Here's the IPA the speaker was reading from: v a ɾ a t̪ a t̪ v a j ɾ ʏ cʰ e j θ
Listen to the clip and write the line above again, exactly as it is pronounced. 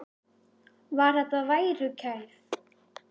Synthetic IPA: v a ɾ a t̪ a v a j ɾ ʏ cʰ a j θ